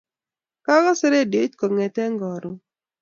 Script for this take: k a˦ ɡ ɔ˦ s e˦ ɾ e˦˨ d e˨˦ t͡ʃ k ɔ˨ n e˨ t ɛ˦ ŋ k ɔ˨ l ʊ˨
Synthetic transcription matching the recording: k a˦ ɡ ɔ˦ s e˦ ɾ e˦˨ d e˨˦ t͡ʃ k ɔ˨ ŋ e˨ t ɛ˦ ŋ ɡ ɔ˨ ɾ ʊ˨